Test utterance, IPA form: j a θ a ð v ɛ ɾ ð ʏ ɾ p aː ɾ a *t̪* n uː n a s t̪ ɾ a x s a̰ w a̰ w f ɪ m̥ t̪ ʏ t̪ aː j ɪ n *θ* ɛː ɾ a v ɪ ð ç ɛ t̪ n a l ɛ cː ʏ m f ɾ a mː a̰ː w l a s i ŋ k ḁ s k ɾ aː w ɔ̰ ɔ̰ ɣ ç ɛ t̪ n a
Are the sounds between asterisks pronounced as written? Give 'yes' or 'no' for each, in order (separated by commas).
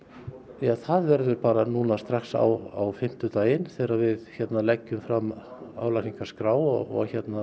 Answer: no, yes